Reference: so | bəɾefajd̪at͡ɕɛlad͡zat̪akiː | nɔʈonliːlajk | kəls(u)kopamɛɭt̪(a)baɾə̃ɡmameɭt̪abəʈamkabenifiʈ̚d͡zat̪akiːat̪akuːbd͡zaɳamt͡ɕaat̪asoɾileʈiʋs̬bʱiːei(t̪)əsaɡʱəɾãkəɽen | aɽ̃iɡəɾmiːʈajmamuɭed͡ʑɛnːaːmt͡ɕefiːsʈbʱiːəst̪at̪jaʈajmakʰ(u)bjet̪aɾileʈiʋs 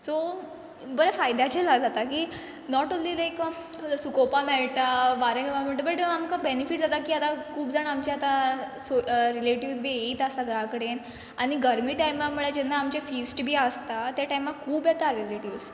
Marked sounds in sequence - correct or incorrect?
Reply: correct, correct, correct, incorrect

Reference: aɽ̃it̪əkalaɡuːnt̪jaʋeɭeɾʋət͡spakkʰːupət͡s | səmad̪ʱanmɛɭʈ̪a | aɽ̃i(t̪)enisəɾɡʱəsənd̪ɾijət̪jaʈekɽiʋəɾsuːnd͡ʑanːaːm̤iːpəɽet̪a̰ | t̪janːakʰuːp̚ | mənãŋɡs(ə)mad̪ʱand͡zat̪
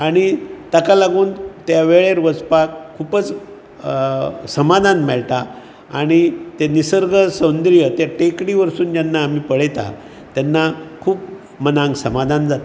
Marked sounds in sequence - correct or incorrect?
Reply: correct, correct

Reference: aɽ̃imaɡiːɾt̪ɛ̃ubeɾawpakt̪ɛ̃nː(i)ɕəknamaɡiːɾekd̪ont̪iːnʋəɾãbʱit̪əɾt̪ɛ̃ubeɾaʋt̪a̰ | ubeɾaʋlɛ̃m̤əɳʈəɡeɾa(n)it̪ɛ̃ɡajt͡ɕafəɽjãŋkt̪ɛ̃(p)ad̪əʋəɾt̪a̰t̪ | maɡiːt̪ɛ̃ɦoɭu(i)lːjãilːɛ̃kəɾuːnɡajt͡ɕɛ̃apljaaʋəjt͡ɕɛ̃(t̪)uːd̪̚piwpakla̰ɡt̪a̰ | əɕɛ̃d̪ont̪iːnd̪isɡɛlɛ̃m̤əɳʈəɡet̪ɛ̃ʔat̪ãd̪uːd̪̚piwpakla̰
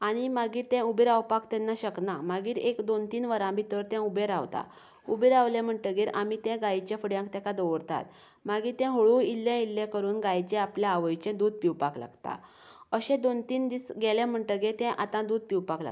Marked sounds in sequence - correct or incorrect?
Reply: incorrect, incorrect, incorrect, correct, incorrect

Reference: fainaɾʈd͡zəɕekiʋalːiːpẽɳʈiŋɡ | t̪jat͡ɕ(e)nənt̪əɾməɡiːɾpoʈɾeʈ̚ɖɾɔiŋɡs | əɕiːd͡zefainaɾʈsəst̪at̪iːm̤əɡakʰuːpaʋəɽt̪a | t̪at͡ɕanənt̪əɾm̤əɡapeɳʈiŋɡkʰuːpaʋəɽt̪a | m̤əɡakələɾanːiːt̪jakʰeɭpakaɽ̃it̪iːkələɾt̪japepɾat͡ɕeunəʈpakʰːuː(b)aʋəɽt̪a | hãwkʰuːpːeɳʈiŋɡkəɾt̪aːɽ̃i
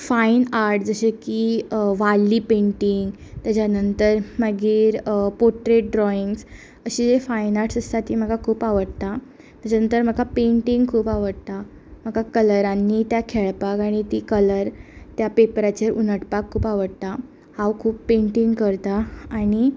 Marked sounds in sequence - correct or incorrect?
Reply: incorrect, incorrect

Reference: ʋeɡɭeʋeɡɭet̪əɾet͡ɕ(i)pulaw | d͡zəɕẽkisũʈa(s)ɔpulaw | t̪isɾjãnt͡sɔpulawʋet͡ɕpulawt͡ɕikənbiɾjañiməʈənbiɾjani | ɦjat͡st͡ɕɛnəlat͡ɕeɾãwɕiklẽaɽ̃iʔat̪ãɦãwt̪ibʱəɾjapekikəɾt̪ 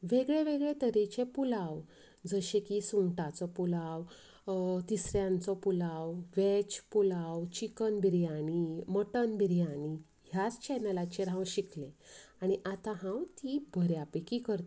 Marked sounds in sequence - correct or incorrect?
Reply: incorrect, incorrect

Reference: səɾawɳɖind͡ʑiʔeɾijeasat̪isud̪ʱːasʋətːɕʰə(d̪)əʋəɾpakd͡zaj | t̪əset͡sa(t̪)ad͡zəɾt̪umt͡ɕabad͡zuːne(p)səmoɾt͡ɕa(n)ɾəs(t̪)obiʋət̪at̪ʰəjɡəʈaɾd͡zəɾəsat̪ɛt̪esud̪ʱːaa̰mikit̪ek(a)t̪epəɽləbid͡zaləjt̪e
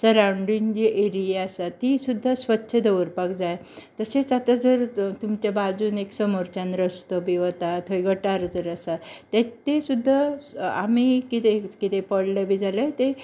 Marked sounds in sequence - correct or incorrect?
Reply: correct, correct, incorrect, correct, correct, incorrect

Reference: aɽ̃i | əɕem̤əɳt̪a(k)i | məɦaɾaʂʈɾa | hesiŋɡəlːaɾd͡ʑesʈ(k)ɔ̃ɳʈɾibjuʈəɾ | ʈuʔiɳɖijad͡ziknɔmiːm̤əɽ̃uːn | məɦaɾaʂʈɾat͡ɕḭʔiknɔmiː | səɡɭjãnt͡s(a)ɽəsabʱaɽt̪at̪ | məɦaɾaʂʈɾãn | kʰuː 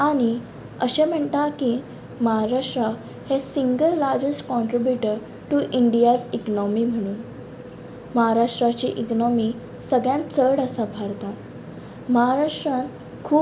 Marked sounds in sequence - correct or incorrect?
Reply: correct, correct, incorrect

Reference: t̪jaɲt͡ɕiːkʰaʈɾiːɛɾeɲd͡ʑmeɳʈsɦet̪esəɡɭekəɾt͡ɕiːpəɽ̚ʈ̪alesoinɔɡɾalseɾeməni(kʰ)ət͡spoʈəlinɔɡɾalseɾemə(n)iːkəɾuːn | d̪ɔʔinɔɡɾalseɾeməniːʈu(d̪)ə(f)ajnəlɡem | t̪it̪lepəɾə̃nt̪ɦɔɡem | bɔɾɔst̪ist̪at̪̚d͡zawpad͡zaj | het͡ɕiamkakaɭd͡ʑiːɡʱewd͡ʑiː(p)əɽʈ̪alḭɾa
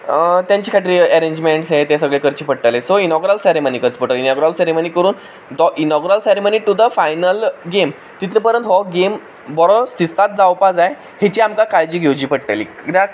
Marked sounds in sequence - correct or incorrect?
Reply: incorrect, correct, correct, correct, correct

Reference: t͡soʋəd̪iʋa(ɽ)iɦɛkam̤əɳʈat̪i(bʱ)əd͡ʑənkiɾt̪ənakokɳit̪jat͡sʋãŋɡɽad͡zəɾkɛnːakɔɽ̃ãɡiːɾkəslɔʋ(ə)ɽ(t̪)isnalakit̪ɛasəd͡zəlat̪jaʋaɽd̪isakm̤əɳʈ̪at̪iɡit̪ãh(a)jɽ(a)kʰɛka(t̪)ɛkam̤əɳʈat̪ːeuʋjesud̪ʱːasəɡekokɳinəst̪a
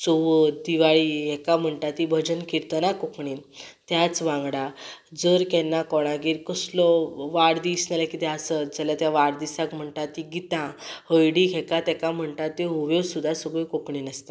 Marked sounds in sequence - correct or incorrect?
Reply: incorrect, correct, incorrect, incorrect, incorrect, incorrect, correct

